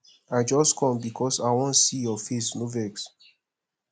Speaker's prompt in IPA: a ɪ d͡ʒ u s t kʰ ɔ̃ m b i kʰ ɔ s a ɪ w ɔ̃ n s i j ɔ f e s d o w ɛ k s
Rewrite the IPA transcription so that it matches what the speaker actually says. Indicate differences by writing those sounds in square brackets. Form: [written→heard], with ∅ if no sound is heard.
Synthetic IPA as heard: a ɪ d͡ʒ [u→ɔ] s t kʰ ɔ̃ m b i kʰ ɔ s a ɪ w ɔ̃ n s i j ɔ f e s [d→n] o [w→v] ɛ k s